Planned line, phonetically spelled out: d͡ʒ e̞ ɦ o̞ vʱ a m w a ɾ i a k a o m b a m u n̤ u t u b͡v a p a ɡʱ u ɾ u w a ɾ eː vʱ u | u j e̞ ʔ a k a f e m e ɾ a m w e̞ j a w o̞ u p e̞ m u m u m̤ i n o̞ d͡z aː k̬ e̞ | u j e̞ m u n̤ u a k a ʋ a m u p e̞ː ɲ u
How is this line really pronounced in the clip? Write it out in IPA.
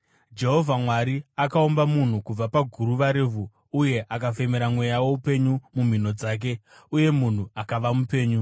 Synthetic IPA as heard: d͡ʒ e̞ ɦ o̞ vʱ a m w a ɾ i a k a o m b a m u n̤ u k u b͡v a p a ɡʱ u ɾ u ʋ a ɾ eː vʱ u | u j e̞ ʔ a k a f e m e ɾ a m w e̞ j a w o̞ u p e̞ ɲ u m u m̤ i n o̞ d͡z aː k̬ e̞ | u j e̞ m u n̤ u a k a ʋ a m u p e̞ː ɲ u